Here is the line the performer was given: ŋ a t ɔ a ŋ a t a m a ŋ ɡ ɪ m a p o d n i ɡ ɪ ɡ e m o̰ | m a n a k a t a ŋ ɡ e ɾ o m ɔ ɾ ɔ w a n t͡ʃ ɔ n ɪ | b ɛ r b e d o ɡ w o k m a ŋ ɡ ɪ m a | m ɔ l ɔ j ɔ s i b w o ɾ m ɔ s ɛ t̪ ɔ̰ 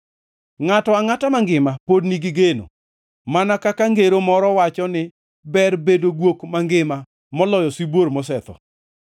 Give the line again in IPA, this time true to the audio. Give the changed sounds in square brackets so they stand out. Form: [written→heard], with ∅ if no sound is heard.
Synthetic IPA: ŋ a t ɔ a ŋ a t a m a ŋ ɡ ɪ m a p o d n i ɡ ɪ ɡ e [m→n] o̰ | m a n a k a [t→k] a ŋ ɡ e ɾ o m ɔ ɾ ɔ w a [n→∅] t͡ʃ ɔ n ɪ | b ɛ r b e d o ɡ w o k m a ŋ ɡ ɪ m a | m ɔ l ɔ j ɔ s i b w o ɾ m ɔ s ɛ t̪ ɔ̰